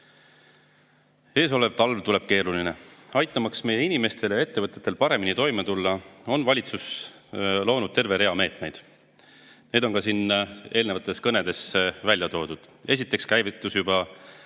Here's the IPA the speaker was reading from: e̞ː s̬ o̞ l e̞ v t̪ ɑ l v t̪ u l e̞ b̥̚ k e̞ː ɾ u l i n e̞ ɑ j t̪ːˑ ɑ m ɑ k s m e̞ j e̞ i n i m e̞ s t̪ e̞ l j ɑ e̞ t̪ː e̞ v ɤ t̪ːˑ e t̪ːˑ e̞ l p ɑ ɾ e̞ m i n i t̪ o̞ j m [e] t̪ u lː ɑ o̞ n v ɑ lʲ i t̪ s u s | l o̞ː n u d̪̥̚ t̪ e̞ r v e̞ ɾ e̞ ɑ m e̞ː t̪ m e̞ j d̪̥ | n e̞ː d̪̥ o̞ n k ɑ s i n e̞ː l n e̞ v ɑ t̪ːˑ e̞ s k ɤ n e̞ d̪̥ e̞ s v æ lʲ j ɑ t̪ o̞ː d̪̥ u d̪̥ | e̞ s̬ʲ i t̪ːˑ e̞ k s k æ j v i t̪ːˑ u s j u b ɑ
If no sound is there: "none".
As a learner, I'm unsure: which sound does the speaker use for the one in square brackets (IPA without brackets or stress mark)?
e